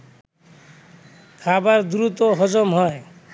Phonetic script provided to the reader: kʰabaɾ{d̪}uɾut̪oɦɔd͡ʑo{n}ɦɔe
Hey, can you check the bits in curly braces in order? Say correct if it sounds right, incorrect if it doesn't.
correct, incorrect: m

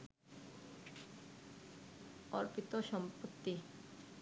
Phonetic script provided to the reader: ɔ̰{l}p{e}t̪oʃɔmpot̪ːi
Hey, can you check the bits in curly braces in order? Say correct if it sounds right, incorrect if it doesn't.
incorrect: ɾ, incorrect: i

